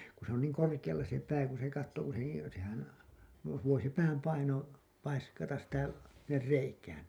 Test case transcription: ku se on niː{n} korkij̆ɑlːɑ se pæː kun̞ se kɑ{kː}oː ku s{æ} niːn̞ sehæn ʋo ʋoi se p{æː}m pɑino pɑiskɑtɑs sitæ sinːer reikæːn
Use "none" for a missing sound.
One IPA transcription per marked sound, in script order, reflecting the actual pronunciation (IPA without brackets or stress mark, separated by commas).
ŋ, tː, e, æː